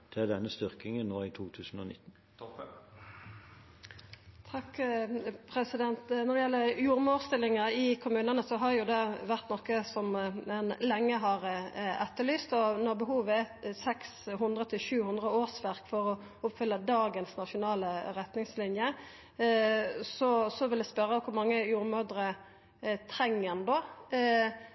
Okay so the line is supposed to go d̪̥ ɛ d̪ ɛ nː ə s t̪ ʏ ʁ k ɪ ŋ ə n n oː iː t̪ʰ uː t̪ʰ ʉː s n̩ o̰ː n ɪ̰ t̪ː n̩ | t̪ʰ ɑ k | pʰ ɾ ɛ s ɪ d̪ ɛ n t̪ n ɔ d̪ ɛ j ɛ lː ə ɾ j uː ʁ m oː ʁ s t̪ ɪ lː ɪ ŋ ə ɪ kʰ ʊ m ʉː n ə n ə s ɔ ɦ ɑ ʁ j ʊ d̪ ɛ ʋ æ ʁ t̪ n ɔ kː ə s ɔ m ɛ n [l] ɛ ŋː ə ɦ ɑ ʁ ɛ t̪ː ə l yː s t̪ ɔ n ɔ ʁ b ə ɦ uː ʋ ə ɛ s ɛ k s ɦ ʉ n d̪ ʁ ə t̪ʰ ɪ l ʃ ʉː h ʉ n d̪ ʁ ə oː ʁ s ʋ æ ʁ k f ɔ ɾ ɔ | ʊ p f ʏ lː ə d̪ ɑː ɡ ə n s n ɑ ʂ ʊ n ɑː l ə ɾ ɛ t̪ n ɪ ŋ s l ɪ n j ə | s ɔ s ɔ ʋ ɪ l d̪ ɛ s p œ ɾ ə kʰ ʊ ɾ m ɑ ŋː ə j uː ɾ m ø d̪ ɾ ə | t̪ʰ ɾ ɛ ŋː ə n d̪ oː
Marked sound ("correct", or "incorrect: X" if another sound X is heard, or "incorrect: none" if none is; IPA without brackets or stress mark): correct